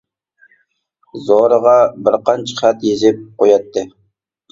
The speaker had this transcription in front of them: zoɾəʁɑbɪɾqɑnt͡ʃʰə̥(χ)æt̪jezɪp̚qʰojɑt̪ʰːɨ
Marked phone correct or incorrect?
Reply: correct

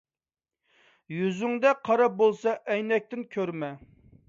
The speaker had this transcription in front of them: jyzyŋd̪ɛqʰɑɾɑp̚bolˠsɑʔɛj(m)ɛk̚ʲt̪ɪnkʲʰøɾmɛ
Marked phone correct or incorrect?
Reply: incorrect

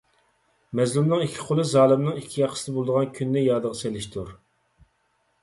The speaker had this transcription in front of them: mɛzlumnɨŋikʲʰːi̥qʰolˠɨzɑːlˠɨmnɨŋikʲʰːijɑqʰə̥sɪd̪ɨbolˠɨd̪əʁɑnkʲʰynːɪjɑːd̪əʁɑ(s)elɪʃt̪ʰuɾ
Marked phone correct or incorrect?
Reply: correct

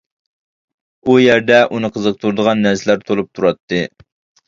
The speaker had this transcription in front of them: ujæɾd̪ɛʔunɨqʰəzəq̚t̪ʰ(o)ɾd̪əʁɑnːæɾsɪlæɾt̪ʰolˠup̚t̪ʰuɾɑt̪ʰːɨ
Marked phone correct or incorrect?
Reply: incorrect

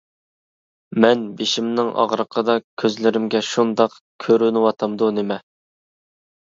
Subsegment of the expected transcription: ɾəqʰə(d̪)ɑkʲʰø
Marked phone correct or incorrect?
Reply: correct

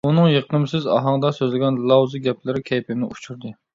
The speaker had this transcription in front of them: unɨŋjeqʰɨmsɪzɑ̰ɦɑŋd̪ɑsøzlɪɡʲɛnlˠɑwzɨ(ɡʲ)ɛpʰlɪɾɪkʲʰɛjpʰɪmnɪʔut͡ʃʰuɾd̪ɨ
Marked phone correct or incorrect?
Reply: correct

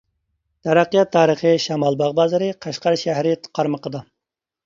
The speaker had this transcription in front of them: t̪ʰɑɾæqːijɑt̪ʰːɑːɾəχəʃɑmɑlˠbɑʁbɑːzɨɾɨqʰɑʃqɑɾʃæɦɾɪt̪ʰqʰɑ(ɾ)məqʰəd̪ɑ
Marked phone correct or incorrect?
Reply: correct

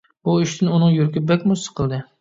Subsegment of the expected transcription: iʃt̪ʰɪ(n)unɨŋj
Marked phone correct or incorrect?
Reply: correct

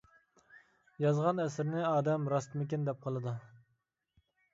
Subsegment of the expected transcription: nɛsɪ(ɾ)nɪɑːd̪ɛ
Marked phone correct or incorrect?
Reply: correct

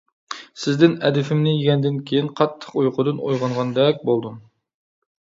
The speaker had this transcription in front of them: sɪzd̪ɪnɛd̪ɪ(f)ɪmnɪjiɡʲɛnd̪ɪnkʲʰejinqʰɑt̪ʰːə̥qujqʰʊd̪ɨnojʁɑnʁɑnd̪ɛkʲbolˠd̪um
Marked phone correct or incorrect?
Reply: correct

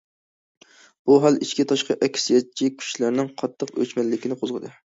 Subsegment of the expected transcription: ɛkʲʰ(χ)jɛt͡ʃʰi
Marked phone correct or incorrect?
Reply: incorrect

